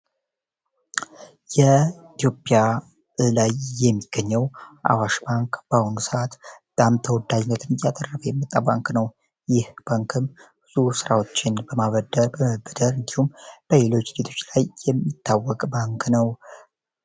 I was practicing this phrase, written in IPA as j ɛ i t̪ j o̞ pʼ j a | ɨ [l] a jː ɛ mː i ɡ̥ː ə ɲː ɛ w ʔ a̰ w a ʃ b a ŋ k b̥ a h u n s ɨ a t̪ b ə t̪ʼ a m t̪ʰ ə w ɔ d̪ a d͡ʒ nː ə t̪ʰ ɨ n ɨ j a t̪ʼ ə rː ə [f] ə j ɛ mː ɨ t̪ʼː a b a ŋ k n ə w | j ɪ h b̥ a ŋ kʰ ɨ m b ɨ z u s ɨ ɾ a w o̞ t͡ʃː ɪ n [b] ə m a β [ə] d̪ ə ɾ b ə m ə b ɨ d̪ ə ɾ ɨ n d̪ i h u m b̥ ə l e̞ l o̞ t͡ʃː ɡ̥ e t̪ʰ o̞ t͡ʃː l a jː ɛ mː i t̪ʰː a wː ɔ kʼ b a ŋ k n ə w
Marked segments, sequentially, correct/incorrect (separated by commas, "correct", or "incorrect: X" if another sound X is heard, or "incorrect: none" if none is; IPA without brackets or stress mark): correct, correct, correct, correct